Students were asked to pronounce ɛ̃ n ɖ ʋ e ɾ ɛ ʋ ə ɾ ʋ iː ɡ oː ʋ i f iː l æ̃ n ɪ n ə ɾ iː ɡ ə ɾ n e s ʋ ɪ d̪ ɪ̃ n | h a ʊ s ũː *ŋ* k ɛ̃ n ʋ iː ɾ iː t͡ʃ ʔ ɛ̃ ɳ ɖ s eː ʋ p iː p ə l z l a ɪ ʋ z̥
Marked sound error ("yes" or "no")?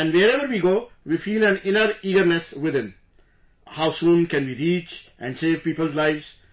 yes